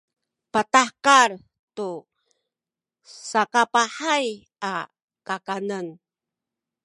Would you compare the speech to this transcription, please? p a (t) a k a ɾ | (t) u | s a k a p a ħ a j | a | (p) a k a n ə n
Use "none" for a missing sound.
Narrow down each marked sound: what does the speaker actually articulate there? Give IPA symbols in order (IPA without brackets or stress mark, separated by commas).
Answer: t, t, k